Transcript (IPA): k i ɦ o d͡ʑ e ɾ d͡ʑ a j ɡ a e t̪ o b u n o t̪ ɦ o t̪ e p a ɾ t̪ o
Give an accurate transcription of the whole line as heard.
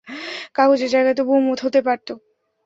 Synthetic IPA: k a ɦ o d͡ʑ e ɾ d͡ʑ a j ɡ a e t̪ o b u m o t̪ ɦ o t̪ e p a ɾ t̪ o